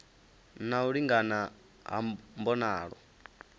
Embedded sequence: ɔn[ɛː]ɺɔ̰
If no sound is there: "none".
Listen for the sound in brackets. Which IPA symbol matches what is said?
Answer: aː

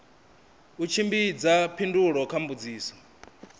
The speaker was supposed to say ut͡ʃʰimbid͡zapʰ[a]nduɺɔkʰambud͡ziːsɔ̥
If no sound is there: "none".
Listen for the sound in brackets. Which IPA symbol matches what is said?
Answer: i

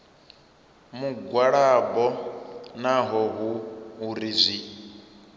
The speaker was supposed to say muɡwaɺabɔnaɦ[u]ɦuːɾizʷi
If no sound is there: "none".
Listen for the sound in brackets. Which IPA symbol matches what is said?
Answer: ɔ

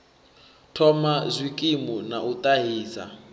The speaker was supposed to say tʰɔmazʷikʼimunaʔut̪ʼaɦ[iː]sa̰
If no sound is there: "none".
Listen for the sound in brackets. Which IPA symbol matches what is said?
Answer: iː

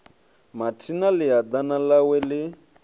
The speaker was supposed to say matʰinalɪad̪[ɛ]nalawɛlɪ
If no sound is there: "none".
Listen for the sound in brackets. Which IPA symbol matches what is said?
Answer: a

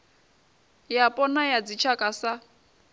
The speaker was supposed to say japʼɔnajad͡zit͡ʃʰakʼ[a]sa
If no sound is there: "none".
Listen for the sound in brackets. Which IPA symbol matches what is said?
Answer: a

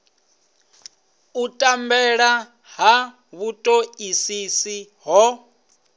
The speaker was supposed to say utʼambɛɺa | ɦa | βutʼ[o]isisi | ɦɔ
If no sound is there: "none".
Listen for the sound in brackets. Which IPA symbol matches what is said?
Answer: o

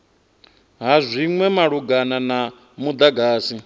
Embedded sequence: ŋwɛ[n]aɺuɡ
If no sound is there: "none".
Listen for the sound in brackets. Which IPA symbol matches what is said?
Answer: m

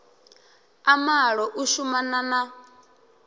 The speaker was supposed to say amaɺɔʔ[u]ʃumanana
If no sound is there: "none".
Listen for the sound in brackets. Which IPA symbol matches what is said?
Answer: u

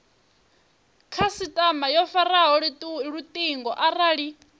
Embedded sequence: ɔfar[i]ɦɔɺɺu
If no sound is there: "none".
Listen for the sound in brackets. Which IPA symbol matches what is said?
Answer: a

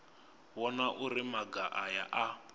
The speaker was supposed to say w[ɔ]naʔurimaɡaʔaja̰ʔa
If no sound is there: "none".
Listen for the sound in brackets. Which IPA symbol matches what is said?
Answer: ɔ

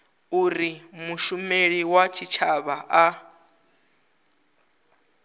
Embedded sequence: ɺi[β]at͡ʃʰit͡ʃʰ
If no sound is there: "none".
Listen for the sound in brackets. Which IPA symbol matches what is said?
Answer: w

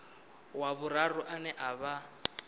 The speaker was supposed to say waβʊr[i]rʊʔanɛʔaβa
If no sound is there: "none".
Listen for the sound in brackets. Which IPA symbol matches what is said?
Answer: a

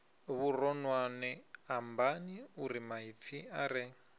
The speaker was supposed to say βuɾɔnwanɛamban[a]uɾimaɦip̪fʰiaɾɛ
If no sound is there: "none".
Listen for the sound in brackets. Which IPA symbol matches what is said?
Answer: i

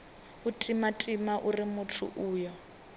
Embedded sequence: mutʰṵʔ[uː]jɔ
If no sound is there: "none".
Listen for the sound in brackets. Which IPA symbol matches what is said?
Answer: uː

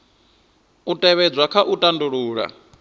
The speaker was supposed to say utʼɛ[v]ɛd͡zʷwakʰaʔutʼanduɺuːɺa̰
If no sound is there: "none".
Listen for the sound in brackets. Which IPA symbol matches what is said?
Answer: β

